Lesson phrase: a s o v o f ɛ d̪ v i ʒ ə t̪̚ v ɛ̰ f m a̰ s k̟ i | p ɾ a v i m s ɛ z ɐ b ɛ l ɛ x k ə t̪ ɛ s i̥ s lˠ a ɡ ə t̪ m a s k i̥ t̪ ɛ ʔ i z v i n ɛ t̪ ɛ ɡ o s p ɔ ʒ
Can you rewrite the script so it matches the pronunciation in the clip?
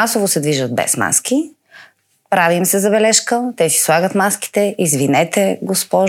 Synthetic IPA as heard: a s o v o s ɛ d̪ v i ʒ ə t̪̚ b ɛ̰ s m a̰ s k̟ i | p ɾ a v i m s ɛ z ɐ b ɛ l ɛ ʃ k ə t̪ ɛ s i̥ s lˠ a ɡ ə t̪ m a s k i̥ t̪ ɛ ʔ i z v i n ɛ t̪ ɛ ɡ o s p ɔ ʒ